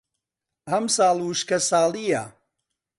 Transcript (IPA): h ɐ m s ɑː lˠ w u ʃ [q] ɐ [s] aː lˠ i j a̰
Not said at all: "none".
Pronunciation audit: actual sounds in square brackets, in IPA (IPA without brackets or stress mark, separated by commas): k, s